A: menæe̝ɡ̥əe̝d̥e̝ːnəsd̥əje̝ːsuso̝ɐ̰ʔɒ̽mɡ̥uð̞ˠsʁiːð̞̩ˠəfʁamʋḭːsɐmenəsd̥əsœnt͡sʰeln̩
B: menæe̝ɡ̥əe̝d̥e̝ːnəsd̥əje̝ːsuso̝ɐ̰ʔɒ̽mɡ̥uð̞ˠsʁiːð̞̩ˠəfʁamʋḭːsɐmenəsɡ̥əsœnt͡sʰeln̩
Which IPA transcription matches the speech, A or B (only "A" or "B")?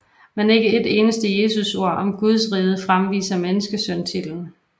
B